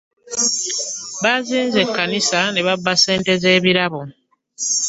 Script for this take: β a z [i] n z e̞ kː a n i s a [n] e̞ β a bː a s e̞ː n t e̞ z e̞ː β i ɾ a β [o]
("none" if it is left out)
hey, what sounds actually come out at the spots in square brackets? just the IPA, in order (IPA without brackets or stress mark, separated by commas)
iː, n, o